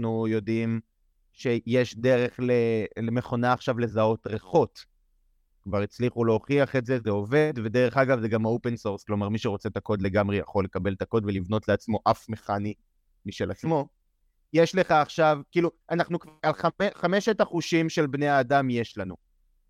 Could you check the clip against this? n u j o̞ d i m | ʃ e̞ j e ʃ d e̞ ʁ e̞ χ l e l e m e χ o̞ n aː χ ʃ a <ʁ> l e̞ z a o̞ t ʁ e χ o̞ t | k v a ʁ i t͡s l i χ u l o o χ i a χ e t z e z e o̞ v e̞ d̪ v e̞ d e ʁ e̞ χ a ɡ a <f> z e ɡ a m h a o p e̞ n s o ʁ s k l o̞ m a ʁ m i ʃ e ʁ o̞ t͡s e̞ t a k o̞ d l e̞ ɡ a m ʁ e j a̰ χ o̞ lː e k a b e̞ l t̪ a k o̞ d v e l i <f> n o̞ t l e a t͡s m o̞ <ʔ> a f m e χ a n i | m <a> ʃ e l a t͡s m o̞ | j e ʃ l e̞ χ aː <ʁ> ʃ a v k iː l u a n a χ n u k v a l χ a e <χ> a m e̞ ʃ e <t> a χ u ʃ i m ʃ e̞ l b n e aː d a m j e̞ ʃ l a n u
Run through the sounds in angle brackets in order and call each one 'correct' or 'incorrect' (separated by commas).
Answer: incorrect, incorrect, incorrect, correct, incorrect, incorrect, correct, correct